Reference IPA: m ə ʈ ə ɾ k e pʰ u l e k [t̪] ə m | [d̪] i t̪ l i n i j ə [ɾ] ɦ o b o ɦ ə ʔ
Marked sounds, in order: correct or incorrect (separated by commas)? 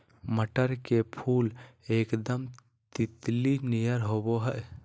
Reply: incorrect, incorrect, correct